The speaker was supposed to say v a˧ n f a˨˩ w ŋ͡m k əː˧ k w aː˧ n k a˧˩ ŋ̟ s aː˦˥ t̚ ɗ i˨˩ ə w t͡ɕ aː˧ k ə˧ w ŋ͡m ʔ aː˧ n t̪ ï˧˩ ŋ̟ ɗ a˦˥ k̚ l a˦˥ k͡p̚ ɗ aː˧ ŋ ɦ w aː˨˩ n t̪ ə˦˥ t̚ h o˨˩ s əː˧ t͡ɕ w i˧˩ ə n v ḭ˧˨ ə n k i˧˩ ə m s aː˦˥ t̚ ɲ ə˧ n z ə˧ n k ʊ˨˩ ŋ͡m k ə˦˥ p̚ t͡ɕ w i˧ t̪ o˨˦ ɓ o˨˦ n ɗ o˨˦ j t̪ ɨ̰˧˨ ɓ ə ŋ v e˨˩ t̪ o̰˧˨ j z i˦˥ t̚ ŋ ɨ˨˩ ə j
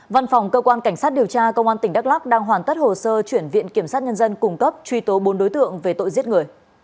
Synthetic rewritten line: v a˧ n f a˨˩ w ŋ͡m k əː˧ k w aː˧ n k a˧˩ ŋ̟ s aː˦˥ t̚ ɗ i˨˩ ə w t͡ɕ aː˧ k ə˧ w ŋ͡m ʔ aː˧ n t̪ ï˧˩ ŋ̟ ɗ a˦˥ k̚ l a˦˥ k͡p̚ ɗ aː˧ ŋ ɦ w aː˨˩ n t̪ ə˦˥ t̚ h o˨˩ s əː˧ t͡ɕ w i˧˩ ə n v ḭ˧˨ ə n k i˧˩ ə m s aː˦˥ t̚ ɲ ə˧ n z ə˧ n k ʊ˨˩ ŋ͡m k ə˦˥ p̚ t͡ɕ w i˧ t̪ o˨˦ ɓ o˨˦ n ɗ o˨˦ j t̪ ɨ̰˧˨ ə ŋ v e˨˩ t̪ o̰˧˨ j z i˦˥ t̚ ŋ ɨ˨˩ ə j